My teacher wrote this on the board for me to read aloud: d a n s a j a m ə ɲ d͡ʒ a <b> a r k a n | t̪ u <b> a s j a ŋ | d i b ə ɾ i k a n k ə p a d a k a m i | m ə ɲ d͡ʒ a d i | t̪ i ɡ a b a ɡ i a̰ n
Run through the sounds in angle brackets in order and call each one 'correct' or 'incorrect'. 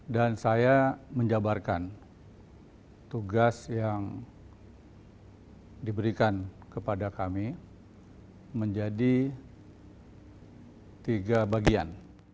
correct, incorrect: ɡ

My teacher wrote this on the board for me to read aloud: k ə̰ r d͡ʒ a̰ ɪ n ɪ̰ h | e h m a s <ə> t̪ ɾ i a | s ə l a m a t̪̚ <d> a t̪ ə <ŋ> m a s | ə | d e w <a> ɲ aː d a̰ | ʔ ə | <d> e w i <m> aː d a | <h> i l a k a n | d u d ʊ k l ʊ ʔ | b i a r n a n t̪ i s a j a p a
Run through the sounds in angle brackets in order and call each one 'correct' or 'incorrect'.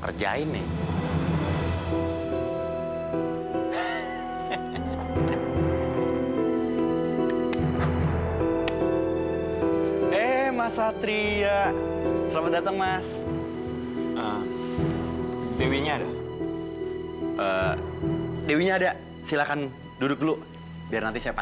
incorrect: a, correct, correct, incorrect: i, correct, incorrect: ɲ, incorrect: s

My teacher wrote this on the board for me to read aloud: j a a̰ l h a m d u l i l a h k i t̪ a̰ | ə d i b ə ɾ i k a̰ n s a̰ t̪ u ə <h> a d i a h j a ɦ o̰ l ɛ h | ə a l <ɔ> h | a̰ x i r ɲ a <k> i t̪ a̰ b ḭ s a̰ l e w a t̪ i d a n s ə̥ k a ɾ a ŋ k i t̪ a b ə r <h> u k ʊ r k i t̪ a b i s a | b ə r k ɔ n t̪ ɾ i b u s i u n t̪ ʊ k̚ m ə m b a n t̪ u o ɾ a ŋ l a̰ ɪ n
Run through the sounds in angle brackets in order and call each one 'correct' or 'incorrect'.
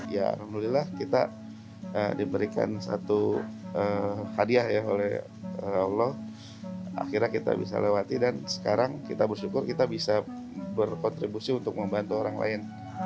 correct, correct, correct, incorrect: ʃ

